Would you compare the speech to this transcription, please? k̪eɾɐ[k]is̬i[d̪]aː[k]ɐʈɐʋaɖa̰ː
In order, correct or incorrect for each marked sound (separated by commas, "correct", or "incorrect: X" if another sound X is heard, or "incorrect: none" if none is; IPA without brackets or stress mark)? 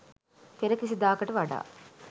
correct, correct, correct